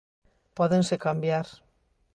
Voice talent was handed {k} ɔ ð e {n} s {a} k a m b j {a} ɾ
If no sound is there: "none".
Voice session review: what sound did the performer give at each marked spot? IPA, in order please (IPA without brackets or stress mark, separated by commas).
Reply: p, n, e, a